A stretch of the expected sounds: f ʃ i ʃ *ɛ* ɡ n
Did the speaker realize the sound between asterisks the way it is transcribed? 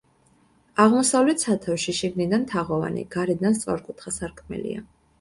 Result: no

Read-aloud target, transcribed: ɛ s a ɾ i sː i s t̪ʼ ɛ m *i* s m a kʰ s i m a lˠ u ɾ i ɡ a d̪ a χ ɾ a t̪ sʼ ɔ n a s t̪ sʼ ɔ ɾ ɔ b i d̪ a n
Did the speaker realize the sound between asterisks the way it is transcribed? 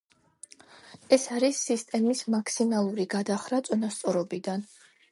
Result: yes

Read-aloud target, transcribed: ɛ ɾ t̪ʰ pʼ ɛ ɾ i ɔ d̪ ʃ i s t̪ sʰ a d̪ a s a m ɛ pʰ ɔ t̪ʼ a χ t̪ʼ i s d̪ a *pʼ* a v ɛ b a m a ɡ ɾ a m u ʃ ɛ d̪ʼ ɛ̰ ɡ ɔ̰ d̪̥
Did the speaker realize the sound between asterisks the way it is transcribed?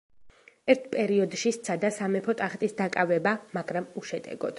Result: no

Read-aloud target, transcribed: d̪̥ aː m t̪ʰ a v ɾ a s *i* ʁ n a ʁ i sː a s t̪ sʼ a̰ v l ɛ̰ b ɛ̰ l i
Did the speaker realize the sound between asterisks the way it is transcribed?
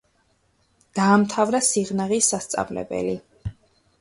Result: yes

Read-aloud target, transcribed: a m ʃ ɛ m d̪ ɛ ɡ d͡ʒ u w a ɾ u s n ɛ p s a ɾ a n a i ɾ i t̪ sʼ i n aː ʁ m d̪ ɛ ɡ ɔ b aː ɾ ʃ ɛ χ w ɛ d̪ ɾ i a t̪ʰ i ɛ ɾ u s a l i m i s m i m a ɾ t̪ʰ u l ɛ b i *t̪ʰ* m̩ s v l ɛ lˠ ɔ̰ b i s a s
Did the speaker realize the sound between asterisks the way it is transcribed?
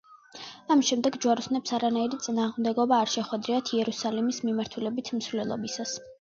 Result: yes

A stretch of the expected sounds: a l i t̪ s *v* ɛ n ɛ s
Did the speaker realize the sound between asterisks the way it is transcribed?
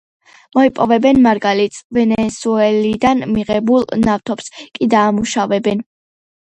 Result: yes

